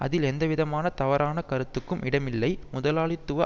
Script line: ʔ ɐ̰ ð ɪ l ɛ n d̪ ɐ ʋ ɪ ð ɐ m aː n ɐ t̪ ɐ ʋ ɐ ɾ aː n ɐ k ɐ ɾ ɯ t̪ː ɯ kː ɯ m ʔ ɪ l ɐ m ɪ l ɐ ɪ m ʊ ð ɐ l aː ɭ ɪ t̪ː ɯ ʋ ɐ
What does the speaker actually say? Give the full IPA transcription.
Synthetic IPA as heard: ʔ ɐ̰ ð ɪ l ɛ n d̪ ɐ ʋ ɪ ð ɐ m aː n ɐ t̪ ɐ ʋ ɐ ɾ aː n ɐ k ɐ ɾ ɯ t̪ː ɯ kː ɯ m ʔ ɪ ɽ ɐ m ɪ lː ɐ ɪ m ʊ ð ɐ l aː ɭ ɪ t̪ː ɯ ʋ ɐ